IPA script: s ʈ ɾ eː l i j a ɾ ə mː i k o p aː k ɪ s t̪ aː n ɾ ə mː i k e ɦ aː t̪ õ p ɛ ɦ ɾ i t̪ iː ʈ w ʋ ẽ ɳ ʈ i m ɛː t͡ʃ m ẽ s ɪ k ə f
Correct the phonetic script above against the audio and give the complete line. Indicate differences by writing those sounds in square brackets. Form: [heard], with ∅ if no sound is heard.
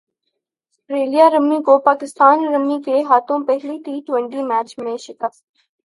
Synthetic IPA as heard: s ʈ ɾ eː l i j a ɾ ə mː i k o p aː k ɪ s t̪ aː n ɾ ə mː i k e ɦ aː t̪ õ p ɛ ɦ [l] i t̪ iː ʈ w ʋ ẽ ɳ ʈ i m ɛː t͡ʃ m ẽ [ʃ] ɪ k ə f